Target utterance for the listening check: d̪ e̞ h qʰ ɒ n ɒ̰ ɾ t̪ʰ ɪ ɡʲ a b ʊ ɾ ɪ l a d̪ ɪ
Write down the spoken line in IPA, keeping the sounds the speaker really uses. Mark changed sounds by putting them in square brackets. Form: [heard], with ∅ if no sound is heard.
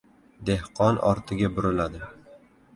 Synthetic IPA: d̪ e̞ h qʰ ɒ n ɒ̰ ɾ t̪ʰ ɪ ɡʲ a b ʊ ɾ ɪ l a d̪ ɪ